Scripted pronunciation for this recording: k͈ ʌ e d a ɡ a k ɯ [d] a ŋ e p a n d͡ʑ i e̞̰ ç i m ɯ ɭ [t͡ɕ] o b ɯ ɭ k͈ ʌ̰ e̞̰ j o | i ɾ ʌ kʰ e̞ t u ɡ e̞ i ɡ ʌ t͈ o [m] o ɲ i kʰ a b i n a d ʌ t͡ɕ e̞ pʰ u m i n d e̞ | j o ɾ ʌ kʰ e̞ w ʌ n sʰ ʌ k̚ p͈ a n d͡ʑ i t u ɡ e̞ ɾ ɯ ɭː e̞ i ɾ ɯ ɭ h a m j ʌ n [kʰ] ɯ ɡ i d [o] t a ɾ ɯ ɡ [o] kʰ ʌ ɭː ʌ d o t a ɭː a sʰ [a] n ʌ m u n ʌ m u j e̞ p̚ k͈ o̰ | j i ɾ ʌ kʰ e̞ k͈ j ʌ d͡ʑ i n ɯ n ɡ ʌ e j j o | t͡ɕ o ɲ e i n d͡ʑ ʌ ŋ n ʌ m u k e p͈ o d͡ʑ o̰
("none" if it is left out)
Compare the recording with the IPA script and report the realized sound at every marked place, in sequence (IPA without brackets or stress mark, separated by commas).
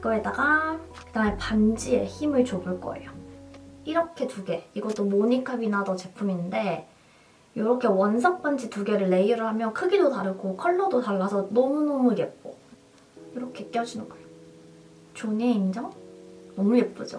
d, t͡ɕ, m, kʰ, o, o, ʌ